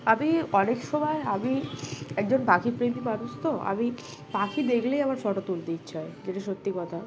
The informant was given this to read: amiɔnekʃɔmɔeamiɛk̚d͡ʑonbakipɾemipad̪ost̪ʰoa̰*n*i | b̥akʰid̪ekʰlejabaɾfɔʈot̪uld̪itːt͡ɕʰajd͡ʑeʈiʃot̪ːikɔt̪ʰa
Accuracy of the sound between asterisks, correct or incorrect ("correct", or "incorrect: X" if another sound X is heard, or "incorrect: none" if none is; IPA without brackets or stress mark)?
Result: incorrect: m